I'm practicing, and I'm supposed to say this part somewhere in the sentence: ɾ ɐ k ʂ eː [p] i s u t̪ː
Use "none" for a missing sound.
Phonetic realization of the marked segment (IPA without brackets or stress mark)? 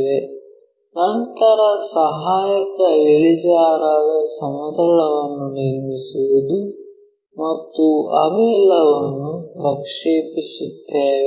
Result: p